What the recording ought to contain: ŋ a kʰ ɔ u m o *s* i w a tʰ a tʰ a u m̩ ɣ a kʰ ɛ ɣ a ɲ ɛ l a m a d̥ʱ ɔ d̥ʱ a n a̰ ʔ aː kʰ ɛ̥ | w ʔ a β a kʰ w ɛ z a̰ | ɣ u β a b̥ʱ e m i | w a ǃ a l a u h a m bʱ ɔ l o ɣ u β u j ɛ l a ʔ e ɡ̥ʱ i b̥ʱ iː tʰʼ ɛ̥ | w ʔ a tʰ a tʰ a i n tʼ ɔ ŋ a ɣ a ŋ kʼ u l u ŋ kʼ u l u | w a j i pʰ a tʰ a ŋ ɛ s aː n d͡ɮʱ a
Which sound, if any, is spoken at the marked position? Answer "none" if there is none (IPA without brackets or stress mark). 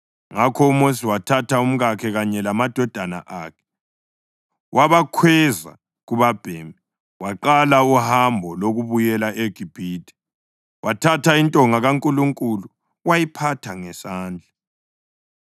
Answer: s